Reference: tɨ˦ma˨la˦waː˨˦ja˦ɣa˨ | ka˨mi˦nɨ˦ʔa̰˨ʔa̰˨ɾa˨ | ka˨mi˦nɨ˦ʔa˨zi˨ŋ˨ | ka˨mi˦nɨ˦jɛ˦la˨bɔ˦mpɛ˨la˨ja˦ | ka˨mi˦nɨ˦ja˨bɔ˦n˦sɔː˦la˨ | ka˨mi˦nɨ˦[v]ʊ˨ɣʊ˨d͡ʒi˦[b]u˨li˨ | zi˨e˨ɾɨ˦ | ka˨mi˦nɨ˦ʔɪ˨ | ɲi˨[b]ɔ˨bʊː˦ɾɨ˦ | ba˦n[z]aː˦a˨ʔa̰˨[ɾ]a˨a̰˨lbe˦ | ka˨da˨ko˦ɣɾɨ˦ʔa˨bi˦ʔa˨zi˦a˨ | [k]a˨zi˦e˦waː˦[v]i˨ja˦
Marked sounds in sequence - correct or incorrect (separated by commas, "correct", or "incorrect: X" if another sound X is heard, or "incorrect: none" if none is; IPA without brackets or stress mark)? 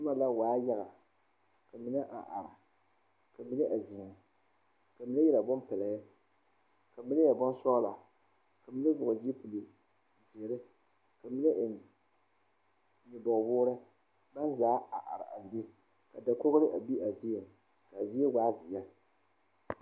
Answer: correct, incorrect: p, correct, correct, correct, correct, incorrect: z